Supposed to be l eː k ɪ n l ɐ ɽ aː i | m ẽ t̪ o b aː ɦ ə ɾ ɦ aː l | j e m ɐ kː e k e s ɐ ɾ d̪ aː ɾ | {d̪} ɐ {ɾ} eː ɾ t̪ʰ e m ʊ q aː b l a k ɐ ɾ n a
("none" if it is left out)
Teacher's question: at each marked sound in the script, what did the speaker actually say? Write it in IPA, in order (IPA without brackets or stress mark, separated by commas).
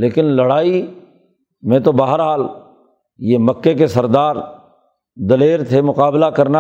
d̪, l